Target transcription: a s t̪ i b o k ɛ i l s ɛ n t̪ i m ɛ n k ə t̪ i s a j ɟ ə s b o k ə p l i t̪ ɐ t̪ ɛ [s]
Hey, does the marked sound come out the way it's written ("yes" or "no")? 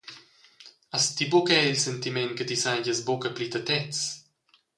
no